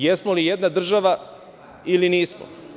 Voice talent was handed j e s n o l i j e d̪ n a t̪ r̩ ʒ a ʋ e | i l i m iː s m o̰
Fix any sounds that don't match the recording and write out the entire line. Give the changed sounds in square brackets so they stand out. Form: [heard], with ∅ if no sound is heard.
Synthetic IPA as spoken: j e s [m] o l i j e d̪ n a [d̪] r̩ ʒ a ʋ [a] | i l i [n] iː s m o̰